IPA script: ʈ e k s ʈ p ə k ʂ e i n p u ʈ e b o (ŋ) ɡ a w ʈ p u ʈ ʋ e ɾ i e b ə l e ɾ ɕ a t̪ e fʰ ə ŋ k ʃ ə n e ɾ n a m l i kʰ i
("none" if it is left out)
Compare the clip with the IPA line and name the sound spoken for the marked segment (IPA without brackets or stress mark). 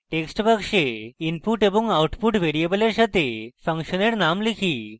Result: ŋ